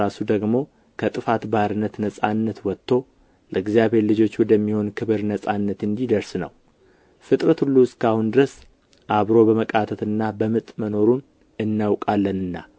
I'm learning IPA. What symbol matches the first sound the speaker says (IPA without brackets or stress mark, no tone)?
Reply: a